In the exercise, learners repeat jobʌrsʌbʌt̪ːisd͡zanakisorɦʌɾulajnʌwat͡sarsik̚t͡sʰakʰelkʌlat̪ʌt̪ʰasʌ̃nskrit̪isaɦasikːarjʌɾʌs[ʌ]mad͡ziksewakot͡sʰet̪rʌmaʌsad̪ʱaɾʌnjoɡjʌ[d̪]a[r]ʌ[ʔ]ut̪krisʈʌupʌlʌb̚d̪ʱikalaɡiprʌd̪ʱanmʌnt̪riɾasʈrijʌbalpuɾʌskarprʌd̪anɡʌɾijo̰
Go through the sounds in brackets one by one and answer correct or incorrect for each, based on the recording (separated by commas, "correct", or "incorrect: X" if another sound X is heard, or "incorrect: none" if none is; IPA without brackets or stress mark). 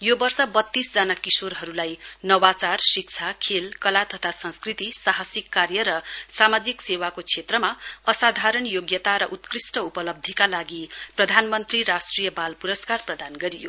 incorrect: a, incorrect: t̪, incorrect: ɾ, correct